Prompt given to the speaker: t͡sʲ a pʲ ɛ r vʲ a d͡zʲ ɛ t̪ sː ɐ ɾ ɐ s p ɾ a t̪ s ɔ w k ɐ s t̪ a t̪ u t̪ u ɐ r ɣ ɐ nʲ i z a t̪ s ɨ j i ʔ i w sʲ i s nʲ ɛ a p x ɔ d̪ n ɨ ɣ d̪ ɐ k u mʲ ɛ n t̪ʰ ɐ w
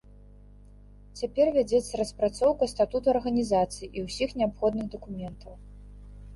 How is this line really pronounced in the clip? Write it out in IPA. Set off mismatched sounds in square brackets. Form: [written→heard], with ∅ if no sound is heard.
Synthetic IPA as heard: t͡sʲ a pʲ ɛ r vʲ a d͡zʲ ɛ t̪ sː ɐ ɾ ɐ s p ɾ a t̪ s ɔ w k ɐ s t̪ a t̪ u t̪ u ɐ r ɣ ɐ nʲ i z a t̪ s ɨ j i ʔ i w sʲ i [s→x] nʲ ɛ a p x ɔ d̪ n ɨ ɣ d̪ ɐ k u mʲ ɛ n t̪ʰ ɐ w